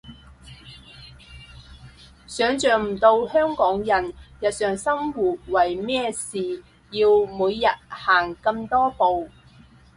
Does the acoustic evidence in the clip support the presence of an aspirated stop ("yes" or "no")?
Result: no